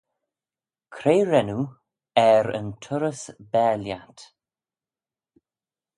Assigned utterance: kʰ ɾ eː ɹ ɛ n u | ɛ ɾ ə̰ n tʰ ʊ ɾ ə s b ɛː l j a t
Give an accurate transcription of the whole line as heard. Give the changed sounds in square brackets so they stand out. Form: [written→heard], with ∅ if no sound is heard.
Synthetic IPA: kʰ ɾ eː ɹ ɛ n u | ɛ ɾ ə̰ n tʰ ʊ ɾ ə s b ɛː l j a t